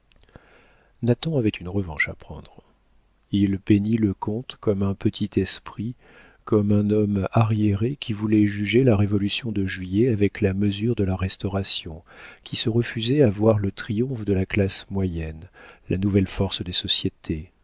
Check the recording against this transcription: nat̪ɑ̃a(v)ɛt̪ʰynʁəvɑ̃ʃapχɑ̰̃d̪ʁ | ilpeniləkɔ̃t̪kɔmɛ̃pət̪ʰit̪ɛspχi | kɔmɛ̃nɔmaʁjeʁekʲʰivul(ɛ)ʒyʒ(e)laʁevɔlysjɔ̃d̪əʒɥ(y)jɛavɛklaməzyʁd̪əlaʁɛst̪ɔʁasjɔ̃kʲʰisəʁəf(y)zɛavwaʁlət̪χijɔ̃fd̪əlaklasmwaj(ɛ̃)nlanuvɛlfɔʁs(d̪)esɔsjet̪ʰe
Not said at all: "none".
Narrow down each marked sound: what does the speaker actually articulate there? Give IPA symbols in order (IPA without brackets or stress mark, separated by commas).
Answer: v, ɛ, e, i, y, ɛ, d̪